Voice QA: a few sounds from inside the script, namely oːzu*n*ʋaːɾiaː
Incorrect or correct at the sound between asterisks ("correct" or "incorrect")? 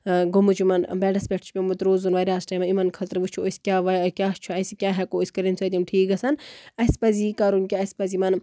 correct